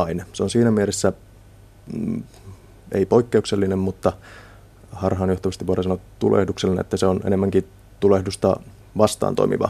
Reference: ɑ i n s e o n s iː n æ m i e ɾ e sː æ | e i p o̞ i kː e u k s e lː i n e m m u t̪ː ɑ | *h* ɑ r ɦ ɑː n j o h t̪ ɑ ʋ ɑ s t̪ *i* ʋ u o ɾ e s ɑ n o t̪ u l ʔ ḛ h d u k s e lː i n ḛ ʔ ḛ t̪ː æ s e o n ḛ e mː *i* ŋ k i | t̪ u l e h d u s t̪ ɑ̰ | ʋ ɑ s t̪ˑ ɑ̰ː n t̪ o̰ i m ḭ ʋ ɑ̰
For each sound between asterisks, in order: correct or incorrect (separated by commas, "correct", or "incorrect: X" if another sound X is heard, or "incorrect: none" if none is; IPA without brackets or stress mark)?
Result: correct, correct, incorrect: æ